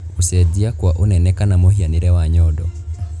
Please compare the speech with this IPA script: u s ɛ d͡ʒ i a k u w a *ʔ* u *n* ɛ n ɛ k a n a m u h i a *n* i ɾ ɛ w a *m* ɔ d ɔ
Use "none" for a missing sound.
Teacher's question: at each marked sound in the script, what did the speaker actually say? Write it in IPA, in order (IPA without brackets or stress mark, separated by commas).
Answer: ʔ, n, n, ɲ